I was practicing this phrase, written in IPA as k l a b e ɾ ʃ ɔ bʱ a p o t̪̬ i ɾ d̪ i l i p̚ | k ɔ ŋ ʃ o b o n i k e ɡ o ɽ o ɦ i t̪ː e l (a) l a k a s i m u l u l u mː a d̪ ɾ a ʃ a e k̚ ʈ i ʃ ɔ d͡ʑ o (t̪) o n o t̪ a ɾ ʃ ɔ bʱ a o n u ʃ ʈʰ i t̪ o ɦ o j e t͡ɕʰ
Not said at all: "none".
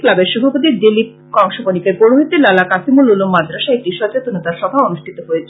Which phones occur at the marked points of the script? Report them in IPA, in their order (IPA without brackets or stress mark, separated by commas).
a, t̪